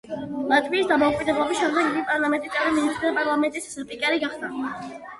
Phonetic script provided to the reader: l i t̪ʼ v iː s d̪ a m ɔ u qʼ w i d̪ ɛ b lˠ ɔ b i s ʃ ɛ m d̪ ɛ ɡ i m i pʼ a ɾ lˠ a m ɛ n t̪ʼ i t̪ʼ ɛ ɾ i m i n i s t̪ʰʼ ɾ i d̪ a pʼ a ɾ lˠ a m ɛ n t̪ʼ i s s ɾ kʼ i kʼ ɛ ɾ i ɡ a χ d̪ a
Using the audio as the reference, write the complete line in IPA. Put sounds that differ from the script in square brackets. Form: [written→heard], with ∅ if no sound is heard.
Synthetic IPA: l [i→a] t̪ʼ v iː s d̪ a m ɔ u [qʼ→kʼ] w i d̪ ɛ b lˠ ɔ b i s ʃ ɛ m d̪ ɛ ɡ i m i pʼ a ɾ lˠ a m ɛ n t̪ʼ i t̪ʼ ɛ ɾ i m i n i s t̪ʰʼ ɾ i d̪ a pʼ a ɾ lˠ a m ɛ n t̪ʼ i s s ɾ [kʼ→pʼ] i kʼ ɛ ɾ i ɡ a χ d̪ a